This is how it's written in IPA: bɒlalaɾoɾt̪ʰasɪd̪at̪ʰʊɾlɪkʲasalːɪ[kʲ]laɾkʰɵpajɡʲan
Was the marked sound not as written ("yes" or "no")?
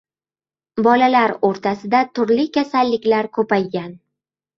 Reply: no